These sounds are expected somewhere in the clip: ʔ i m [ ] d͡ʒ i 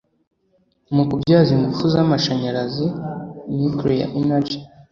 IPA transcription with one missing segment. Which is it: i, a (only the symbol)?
a